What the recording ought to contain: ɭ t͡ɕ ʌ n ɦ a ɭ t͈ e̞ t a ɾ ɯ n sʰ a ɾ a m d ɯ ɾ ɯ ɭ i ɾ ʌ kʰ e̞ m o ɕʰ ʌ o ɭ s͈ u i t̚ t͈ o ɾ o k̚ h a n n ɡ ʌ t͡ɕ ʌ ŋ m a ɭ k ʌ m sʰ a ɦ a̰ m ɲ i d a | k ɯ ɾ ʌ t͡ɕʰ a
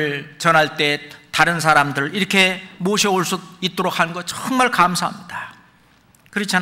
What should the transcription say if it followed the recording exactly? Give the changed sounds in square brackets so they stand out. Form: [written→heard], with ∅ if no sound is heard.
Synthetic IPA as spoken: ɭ t͡ɕ ʌ n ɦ a ɭ t͈ e̞ t a ɾ ɯ n sʰ a ɾ a m d ɯ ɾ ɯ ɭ i ɾ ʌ kʰ e̞ m o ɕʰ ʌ o ɭ s͈ u i t̚ t͈ o ɾ o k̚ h a n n ɡ ʌ t͡ɕ ʌ ŋ m a ɭ k [ʌ→a] m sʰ a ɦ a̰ m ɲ i d a | k ɯ ɾ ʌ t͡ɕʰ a